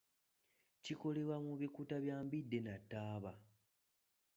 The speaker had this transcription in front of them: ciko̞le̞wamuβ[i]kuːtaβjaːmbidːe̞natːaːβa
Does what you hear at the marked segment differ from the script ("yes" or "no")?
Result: no